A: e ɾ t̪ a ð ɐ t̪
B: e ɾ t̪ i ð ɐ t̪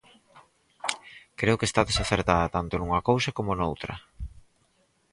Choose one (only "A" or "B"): A